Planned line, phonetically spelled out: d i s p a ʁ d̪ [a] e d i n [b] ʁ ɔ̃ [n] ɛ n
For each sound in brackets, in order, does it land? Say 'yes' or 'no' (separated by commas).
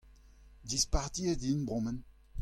no, yes, no